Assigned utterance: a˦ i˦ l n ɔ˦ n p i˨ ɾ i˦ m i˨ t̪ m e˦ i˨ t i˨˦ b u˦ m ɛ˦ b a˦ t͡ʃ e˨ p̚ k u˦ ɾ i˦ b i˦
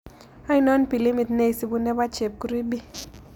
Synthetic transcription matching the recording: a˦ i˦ n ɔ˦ n p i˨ l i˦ m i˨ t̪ n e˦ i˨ s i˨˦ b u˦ n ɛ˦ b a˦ t͡ʃ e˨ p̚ k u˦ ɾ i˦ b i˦